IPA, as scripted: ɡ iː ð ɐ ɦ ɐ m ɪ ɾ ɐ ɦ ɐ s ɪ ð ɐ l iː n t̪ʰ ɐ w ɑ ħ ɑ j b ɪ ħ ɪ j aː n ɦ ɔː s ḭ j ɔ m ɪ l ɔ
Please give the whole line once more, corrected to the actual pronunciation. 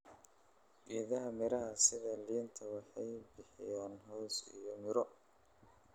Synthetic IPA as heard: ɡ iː ð ɐ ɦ ɐ m ɪ ɾ ɐ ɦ ɐ s ɪ ð ɐ l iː n t̪ʰ ɐ w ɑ ħ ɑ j b ɪ ħ ɪ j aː n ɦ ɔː s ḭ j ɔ m ɪ ɾ ɔ